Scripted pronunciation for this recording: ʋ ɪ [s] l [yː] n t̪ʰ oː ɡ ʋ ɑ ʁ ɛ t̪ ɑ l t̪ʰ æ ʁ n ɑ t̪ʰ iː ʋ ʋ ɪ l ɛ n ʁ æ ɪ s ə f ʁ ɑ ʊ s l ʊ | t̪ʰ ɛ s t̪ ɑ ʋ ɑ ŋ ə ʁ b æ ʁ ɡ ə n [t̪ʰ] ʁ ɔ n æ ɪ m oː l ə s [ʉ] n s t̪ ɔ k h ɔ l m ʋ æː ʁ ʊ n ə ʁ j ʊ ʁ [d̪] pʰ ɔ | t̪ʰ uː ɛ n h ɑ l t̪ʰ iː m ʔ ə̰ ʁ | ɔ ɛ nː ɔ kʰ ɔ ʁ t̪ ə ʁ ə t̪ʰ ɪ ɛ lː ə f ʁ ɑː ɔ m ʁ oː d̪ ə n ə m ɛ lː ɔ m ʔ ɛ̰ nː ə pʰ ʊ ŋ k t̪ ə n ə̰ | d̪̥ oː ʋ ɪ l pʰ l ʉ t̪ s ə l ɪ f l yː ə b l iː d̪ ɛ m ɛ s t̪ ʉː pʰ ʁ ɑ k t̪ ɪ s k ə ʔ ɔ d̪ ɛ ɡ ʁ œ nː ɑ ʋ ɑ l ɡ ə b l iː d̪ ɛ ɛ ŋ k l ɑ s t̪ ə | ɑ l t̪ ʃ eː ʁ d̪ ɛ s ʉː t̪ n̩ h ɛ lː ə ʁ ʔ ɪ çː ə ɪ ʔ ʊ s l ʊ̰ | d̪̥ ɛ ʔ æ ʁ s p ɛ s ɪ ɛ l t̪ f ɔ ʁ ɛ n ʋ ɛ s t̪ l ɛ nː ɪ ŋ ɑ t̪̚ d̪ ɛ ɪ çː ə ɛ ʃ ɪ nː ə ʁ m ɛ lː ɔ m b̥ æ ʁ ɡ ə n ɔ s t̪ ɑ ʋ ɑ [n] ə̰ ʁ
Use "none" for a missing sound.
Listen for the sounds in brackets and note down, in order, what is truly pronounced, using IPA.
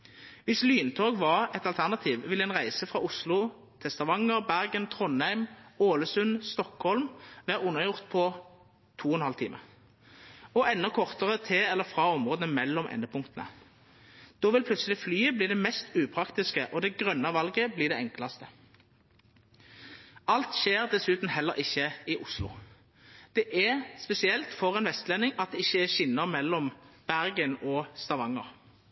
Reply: s, yː, t̪ʰ, ʉ, t̪, ŋ

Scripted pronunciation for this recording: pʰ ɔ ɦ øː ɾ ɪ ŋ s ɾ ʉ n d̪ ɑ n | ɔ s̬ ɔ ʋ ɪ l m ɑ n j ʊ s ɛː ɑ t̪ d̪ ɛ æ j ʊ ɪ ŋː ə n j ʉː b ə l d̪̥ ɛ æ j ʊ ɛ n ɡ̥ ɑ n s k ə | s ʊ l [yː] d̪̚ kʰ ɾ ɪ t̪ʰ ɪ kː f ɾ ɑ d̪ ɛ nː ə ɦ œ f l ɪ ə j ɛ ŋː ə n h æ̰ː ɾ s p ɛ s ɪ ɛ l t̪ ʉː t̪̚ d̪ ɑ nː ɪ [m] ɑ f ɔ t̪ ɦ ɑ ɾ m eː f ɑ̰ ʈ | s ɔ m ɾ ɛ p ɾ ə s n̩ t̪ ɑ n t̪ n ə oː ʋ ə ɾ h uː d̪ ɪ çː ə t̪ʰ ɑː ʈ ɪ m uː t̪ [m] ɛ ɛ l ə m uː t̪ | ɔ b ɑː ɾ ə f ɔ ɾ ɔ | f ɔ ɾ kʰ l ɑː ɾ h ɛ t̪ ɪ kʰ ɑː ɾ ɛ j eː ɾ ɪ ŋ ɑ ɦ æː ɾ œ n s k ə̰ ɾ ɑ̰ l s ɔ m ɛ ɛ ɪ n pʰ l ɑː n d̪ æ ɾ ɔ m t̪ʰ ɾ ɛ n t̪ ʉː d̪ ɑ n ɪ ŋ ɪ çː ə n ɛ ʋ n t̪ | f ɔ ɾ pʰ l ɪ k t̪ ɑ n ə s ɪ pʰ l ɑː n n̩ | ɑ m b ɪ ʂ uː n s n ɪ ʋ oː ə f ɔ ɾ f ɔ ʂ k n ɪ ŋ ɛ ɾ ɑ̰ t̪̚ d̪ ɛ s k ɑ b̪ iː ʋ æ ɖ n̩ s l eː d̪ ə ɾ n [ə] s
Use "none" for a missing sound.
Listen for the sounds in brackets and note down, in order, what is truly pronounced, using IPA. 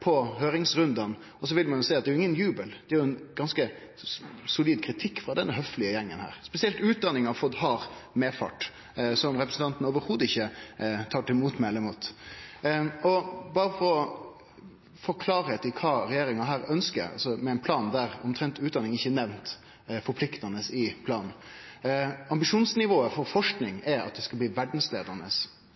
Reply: iː, ŋ, m, ə

